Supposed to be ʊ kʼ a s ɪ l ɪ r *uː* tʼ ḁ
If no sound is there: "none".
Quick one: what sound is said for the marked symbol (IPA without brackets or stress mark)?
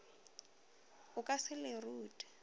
uː